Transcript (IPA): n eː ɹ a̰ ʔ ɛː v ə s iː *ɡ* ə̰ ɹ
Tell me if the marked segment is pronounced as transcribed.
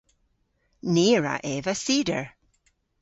no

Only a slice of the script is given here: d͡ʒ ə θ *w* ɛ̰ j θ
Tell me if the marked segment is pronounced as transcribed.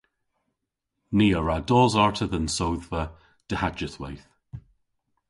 yes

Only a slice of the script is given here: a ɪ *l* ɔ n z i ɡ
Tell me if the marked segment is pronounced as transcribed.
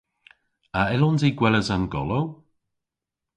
yes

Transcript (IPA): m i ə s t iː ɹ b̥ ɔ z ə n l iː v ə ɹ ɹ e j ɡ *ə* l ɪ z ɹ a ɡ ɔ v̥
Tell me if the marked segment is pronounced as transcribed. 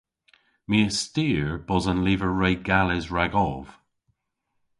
no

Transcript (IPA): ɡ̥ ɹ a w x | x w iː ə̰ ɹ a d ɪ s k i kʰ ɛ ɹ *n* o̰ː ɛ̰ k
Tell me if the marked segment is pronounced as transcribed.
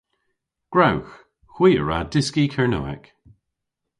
yes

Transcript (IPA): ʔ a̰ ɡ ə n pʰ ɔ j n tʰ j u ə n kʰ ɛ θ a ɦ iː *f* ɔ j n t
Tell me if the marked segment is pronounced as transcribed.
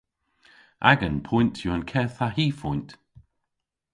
yes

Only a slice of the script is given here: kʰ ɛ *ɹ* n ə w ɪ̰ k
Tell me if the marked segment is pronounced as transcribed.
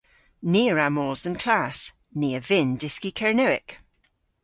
yes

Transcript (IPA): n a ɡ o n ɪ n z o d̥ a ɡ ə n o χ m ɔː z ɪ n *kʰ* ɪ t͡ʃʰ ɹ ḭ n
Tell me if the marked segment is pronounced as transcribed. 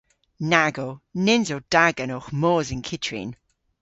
yes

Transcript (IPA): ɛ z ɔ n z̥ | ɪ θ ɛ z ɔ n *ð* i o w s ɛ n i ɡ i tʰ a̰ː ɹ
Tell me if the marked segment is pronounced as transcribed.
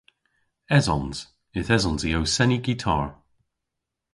no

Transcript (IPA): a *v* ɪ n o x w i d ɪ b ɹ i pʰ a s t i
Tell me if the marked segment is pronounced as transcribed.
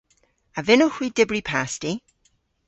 yes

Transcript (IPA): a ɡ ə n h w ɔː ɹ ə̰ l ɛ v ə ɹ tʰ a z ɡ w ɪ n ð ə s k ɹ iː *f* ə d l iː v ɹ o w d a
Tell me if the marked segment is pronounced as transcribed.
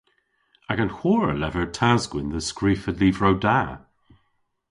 yes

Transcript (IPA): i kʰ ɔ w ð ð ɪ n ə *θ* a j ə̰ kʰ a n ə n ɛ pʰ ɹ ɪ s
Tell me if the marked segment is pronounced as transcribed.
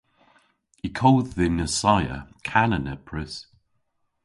no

